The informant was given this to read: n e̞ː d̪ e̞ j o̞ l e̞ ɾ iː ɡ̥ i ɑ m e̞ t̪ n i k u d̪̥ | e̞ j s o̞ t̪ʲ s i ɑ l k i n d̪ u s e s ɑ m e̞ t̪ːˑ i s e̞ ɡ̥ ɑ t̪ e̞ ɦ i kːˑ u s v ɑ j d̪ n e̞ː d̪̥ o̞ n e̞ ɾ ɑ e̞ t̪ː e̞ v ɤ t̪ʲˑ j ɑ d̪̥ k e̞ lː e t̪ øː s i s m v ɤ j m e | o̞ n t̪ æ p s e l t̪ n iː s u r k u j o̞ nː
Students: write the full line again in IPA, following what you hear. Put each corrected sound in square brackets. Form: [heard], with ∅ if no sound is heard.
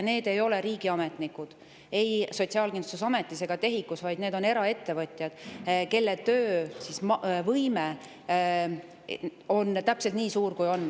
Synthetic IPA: n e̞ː d̪ e̞ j o̞ l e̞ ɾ iː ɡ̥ i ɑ m e̞ t̪ n i k u d̪̥ | e̞ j s o̞ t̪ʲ s i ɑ l k i n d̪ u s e s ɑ m e̞ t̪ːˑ i s e̞ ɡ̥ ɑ t̪ e̞ ɦ i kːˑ u s v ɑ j d̪ n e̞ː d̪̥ o̞ n e̞ ɾ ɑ e̞ t̪ː e̞ v ɤ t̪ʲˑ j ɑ d̪̥ k e̞ lː e t̪ øː s i s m v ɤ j m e | o̞ n t̪ æ p s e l t̪ n iː s [uː] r k u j o̞ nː